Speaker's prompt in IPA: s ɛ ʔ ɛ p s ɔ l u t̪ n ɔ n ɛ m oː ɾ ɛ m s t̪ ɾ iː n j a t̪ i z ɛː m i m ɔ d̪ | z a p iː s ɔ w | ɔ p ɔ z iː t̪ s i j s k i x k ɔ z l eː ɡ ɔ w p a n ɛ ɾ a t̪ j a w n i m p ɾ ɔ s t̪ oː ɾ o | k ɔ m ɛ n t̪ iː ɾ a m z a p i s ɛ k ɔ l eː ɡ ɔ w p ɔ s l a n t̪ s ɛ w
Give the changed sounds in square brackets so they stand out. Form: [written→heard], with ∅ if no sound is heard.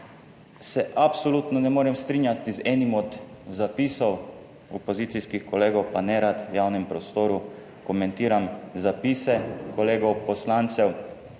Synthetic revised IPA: s ɛ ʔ [ɛ→a] p s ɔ l u t̪ n ɔ n ɛ m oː ɾ ɛ m s t̪ ɾ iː n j a t̪ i z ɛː [m→n] i m ɔ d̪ | z a p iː s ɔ w | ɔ p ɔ z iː t̪ s i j s k i x k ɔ [z→∅] l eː ɡ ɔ w p a n ɛ ɾ a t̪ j a w n [i→ɛ] m p ɾ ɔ s t̪ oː ɾ [o→u] | k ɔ m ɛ n t̪ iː ɾ a m z a p i s ɛ k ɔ l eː ɡ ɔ w p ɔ s l a n t̪ s ɛ w